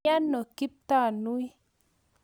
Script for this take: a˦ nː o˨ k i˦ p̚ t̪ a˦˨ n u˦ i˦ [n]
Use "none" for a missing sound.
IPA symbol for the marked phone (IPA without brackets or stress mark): none